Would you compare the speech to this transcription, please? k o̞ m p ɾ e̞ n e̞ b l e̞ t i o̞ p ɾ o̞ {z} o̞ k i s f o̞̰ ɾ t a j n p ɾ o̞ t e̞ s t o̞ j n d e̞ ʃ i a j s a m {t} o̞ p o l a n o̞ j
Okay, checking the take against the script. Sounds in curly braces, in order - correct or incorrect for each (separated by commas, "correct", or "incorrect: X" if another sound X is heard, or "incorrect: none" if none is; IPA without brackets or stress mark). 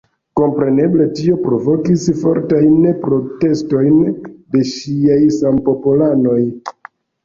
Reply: incorrect: v, incorrect: p